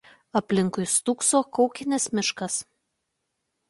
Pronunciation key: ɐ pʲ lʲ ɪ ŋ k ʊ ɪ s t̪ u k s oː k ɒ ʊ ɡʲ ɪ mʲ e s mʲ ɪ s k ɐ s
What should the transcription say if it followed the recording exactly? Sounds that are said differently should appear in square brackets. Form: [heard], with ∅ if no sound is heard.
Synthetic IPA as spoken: ɐ pʲ lʲ ɪ ŋ k ʊ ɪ s t̪ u k s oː k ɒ ʊ [kʲ] ɪ [nʲ] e s mʲ ɪ [ʃ] k ɐ s